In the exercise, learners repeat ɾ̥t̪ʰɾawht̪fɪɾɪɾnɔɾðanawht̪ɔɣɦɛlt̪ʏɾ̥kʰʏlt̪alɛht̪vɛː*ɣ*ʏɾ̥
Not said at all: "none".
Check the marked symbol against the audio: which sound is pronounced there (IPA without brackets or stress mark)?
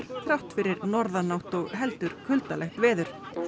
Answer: ð